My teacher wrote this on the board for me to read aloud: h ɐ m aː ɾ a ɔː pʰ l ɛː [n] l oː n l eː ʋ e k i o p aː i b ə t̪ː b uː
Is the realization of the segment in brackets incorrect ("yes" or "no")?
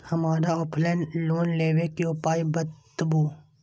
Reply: no